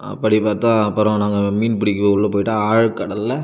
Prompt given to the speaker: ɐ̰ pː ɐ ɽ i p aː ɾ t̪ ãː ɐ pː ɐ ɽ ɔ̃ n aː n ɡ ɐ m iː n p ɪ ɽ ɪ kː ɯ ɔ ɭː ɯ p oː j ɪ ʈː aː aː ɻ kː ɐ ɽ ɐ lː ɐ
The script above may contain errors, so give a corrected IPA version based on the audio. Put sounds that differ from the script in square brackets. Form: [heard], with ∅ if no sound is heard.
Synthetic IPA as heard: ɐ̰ pː ɐ ɽ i p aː ɾ t̪ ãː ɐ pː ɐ [ɾ] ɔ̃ n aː [ŋ] ɡ ɐ m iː n p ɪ ɽ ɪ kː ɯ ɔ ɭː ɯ p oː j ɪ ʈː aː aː ɻ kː ɐ ɽ ɐ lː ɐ